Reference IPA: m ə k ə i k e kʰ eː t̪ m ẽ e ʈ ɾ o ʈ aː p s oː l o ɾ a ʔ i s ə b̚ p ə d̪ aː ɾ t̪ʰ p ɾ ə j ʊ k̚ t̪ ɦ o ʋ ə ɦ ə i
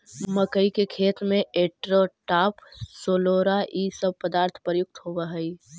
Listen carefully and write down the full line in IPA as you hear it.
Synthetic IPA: m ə k ə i k e kʰ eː t̪ m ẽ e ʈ ɾ o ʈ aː p s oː l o ɾ a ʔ i s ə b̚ p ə d̪ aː ɾ t̪ʰ p ɾ ə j ʊ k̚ t̪ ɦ o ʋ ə ɦ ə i